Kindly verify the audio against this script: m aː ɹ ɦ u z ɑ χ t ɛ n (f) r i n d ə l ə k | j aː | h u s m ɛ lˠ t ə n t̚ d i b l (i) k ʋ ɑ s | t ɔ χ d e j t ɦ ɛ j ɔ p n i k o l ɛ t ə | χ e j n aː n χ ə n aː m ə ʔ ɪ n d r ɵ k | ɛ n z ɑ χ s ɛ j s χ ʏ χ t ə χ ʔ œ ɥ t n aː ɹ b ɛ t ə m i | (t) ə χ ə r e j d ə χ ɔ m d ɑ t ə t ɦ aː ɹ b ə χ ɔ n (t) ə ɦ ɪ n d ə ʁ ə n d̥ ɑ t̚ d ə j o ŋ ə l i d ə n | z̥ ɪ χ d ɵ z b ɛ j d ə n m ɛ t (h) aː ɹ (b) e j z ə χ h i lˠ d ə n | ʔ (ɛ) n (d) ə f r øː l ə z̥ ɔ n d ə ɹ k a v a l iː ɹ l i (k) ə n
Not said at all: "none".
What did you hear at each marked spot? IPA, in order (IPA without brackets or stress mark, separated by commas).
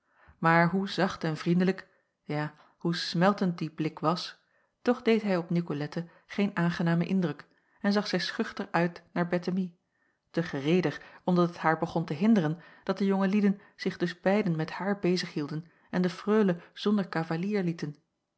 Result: v, ɪ, t, t, h, b, ɛ, d, t